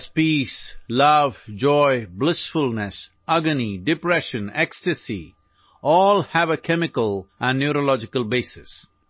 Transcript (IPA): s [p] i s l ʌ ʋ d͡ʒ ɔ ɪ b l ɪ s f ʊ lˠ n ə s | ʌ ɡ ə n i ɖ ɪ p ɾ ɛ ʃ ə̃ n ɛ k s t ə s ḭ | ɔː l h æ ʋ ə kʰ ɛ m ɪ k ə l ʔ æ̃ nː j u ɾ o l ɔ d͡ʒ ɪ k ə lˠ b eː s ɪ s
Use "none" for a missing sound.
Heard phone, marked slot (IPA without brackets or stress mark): p